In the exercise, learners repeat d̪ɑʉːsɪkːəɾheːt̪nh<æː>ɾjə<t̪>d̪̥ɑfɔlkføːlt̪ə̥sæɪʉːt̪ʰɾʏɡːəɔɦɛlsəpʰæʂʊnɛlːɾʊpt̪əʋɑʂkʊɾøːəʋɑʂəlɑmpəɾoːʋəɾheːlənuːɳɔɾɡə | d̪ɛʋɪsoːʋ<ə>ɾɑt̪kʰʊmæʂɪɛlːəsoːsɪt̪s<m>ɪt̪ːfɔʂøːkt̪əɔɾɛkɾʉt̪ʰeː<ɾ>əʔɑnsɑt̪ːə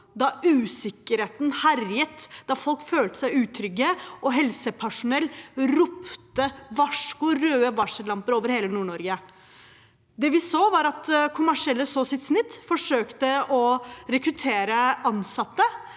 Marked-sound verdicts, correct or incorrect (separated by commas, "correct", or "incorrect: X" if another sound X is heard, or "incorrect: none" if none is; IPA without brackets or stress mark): incorrect: æ, correct, incorrect: ɑ, incorrect: n, correct